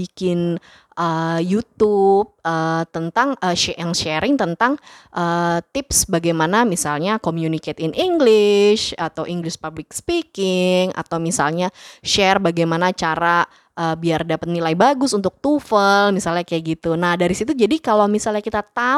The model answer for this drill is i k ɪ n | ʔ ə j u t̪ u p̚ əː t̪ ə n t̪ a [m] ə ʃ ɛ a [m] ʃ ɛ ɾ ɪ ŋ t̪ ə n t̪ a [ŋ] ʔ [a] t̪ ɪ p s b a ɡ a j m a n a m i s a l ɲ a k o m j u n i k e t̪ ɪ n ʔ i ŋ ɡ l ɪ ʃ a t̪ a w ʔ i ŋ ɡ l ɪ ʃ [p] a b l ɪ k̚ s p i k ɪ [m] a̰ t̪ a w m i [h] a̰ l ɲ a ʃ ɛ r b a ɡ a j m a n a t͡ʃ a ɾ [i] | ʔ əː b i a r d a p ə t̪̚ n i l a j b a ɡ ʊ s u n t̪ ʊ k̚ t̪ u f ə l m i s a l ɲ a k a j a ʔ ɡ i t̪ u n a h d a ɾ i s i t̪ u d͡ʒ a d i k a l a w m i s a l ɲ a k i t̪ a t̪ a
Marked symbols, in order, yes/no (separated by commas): no, no, yes, no, yes, no, no, no